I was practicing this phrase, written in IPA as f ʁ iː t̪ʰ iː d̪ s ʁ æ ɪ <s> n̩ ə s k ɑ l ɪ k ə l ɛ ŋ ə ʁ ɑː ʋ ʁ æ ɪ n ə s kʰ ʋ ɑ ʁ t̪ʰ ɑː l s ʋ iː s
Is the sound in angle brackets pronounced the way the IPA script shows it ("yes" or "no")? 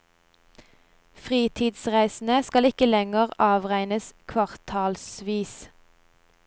yes